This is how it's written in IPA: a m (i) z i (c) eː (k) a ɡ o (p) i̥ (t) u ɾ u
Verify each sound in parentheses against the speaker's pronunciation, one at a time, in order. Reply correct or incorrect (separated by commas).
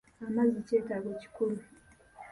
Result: incorrect, correct, incorrect, incorrect, incorrect